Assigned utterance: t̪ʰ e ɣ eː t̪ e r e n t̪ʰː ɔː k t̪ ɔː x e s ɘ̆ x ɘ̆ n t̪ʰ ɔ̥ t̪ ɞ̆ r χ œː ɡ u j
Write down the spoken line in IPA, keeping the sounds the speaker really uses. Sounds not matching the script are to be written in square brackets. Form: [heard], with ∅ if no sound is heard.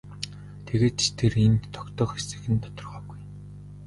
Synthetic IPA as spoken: t̪ʰ e ɣ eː [t̪ʰ] e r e n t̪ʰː [ɔ] k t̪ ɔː x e s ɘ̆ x ɘ̆ n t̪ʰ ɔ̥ t̪ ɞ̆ r [ʁ] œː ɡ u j